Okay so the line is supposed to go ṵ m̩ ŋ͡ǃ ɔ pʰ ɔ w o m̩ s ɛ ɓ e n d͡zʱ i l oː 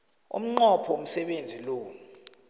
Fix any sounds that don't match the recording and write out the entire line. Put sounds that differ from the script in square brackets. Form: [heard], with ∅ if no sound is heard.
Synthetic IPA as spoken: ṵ m̩ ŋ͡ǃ ɔ pʰ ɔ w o m̩ s ɛ ɓ e n d͡zʱ i l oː